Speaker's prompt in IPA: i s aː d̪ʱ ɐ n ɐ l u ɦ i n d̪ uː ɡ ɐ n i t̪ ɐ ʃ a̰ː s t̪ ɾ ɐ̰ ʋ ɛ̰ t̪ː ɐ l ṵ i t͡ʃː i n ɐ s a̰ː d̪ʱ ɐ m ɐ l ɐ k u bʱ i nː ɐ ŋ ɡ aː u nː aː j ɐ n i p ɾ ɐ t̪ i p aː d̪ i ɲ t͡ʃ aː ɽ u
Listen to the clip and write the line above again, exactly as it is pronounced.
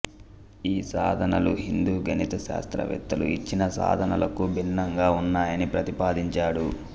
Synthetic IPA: iː s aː d̪ʱ ɐ n ɐ l u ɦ i n d̪ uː ɡ ɐ n i t̪ ɐ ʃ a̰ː s t̪ ɾ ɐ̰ ʋ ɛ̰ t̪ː ɐ l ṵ i t͡ʃː i n ɐ s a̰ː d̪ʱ ɐ n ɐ l ɐ k u bʱ i nː ɐ ŋ ɡ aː u nː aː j ɐ n i p ɾ ɐ t̪ i p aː d̪ i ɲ t͡ʃ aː ɽ u